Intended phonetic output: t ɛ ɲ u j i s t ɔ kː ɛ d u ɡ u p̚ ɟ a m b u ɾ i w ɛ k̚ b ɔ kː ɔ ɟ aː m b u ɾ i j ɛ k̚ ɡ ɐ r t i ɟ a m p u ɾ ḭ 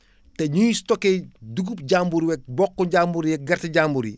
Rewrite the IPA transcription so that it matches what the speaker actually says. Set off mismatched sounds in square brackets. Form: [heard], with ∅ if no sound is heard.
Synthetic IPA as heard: t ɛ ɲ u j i s t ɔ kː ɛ d u ɡ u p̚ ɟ a m b u ɾ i w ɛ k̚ b ɔ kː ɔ ɟ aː m b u ɾ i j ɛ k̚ ɡ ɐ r t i ɟ a m [b] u ɾ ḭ

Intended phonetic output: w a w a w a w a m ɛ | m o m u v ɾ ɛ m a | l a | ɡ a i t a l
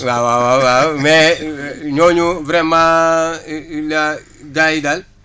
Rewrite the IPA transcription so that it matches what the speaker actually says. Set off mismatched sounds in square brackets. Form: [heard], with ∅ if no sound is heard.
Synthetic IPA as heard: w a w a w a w a m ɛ | [ɲ] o [ɲ] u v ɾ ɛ m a | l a | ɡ a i [d] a l

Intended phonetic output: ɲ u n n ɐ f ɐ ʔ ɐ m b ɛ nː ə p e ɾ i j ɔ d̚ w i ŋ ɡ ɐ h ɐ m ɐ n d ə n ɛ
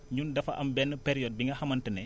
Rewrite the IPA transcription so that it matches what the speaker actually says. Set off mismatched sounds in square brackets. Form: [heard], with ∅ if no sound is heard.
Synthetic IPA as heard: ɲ u n [d] ɐ f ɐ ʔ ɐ m b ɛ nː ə p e ɾ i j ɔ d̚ [b] i ŋ ɡ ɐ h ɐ m ɐ n [t] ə n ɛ

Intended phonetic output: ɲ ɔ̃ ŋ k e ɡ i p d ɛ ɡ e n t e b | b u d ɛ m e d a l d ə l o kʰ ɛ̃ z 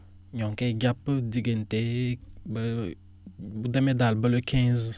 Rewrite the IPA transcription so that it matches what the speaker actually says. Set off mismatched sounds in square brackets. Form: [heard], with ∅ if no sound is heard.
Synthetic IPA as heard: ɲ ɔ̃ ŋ k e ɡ [a] p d [i] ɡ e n t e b | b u d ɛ m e d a l [b] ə l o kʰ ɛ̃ z

